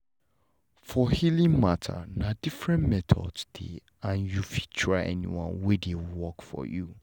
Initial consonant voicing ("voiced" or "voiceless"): voiceless